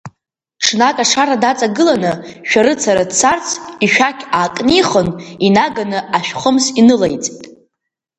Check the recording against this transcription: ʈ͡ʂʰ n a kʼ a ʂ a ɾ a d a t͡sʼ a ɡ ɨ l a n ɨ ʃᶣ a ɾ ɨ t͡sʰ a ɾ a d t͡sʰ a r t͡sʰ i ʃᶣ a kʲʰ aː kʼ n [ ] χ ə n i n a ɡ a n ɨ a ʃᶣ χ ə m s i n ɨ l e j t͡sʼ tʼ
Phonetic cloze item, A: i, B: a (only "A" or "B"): A